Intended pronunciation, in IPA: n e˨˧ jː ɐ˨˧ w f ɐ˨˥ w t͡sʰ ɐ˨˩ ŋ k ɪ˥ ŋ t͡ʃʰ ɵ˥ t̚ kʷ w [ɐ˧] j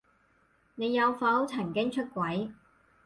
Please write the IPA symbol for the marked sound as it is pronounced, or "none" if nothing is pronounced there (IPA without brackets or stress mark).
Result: ɐ˨˥